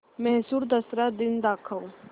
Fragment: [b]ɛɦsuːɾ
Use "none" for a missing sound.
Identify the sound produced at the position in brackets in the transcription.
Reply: m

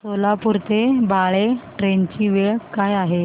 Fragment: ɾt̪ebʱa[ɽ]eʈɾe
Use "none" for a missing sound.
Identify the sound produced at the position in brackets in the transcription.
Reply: ɭ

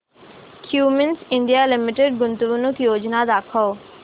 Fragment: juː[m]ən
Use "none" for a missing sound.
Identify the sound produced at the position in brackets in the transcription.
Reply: m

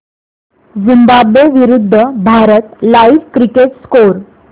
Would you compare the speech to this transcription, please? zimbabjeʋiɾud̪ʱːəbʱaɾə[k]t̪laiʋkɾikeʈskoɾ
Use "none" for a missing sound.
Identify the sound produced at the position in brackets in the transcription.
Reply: none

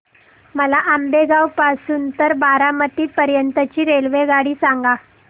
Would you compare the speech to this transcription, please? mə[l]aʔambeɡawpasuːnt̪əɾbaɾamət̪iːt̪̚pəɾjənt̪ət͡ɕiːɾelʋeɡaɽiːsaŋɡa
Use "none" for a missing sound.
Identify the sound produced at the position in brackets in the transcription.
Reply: l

